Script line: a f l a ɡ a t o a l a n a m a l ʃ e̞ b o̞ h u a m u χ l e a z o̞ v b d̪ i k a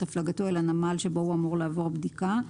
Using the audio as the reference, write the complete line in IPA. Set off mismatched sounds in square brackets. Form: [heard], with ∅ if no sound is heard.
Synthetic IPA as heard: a f l a ɡ a t o [e] l a n a m a l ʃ e̞ b o̞ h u a m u [ʁ] l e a [v] o̞ [ʁ] b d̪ i k a